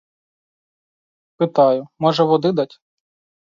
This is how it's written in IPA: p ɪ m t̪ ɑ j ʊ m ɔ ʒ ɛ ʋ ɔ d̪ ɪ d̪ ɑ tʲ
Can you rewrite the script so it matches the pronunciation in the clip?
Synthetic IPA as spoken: p ɪ t̪ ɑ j ʊ m ɔ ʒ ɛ ʋ ɔ d̪ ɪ d̪ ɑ tʲ